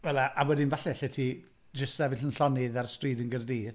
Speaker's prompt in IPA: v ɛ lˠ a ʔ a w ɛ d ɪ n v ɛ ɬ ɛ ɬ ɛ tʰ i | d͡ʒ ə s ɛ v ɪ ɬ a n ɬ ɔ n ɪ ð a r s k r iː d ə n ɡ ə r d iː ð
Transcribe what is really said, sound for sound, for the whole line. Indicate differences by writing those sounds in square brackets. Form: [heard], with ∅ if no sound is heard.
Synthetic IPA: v ɛ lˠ a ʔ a w ɛ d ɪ n v [a] ɬ ɛ ɬ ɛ tʰ i | d͡ʒ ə s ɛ v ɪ ɬ [ə] n ɬ ɔ n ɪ ð a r s [t] r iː d ə n ɡ ə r d iː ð